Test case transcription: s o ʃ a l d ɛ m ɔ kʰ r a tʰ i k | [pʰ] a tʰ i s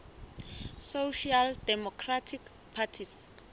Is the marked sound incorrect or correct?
correct